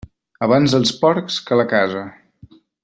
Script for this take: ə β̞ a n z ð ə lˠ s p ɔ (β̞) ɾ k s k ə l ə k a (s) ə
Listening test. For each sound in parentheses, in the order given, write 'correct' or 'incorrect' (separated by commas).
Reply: incorrect, incorrect